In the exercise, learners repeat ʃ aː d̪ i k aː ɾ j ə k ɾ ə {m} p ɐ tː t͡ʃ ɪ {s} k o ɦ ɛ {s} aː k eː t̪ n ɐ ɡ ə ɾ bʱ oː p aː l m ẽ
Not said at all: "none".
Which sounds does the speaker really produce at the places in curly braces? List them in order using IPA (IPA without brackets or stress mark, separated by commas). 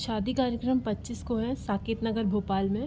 m, s, s